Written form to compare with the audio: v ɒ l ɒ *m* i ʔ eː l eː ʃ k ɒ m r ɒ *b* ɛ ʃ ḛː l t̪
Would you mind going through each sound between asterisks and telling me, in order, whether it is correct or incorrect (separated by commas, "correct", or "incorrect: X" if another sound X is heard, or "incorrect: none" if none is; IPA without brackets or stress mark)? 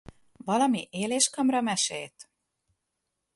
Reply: correct, incorrect: m